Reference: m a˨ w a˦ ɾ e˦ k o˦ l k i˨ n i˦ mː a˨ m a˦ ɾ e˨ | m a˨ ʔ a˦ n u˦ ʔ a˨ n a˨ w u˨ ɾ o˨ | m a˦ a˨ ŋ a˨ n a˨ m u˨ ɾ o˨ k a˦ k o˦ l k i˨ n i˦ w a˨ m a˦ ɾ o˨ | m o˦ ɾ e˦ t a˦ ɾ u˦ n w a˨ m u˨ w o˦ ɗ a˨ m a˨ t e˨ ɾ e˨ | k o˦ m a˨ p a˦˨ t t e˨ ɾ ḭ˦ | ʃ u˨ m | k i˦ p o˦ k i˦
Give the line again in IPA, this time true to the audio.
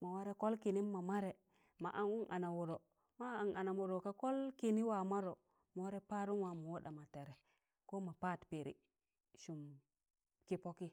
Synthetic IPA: m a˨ w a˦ ɾ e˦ k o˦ l k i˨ n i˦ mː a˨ m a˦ ɾ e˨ | m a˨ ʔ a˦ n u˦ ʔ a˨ n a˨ w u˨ ɾ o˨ | m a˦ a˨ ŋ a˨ n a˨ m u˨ ɾ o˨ k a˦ k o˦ l k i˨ n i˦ w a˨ m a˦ ɾ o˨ | m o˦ ɾ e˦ p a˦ ɾ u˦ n w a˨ m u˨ w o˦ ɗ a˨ m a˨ t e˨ ɾ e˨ | k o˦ m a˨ p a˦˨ t p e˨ ɾ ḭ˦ | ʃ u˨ m | k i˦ p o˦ k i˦